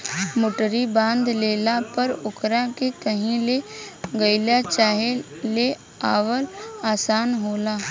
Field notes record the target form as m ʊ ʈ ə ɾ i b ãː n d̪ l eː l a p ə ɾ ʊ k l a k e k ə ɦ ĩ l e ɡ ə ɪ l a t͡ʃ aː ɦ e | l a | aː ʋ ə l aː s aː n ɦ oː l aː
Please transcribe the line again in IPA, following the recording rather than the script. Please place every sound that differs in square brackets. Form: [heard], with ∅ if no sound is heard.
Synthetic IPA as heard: m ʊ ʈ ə ɾ i b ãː n d̪ l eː l a p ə ɾ ʊ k [ɾ] a k e k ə ɦ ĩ l e ɡ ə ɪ l a t͡ʃ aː ɦ e | l [e] | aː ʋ ə l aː s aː n ɦ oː l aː

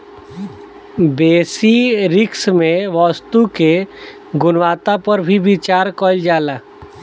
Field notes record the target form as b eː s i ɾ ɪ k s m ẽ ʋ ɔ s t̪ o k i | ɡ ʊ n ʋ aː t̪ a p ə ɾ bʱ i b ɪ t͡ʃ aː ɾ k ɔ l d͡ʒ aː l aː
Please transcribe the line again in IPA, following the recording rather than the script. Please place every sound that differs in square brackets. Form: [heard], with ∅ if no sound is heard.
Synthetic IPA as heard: b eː s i ɾ ɪ k s m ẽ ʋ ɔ s t̪ [u] k [e] | ɡ ʊ n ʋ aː t̪ a p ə ɾ bʱ i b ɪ t͡ʃ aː ɾ k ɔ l d͡ʒ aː l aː

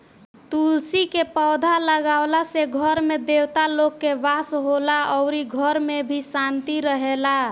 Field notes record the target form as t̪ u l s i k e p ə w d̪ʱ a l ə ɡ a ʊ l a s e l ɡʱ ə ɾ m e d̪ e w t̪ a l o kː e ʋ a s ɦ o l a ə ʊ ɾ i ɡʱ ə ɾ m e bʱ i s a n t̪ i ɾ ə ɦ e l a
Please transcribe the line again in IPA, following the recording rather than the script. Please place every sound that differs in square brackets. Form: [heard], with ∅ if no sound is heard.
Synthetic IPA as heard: t̪ u l s i k e p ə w d̪ʱ a l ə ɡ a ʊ l a s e [∅] ɡʱ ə ɾ m e d̪ e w t̪ a l o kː e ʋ a s ɦ o l a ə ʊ ɾ i ɡʱ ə ɾ m e bʱ i s a n t̪ i ɾ ə ɦ e l a

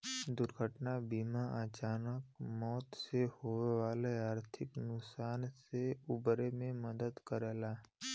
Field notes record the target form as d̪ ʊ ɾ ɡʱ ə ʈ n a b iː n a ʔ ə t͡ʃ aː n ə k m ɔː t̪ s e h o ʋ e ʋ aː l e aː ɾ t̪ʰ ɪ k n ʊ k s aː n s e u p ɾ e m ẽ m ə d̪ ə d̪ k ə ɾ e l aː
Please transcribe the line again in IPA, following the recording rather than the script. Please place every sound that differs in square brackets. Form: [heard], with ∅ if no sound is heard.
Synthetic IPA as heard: d̪ ʊ ɾ ɡʱ ə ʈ n a b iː [m] a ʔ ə t͡ʃ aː n ə k m ɔː t̪ s e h o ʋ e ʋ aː l e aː ɾ t̪ʰ ɪ k n ʊ k s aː n s e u [b] ɾ e m ẽ m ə d̪ ə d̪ k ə ɾ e l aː

